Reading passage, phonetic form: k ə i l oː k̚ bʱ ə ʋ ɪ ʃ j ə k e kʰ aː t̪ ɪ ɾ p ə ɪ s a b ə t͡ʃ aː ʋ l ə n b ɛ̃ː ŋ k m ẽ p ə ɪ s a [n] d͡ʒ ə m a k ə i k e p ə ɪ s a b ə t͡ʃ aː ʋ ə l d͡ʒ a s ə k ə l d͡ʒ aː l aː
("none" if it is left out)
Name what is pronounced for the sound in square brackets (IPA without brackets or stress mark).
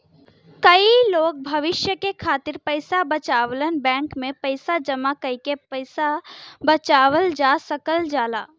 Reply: none